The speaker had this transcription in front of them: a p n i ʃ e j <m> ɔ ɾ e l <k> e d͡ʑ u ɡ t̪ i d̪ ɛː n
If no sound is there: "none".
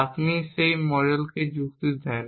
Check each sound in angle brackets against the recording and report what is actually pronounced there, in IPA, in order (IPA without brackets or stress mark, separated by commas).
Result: m, k